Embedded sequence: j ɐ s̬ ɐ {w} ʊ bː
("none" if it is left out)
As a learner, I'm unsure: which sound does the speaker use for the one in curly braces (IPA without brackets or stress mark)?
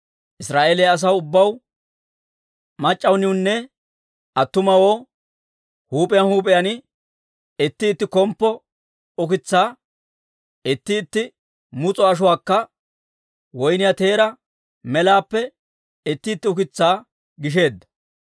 w